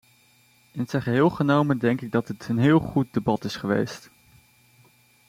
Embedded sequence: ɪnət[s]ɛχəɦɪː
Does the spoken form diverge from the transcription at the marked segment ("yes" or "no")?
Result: no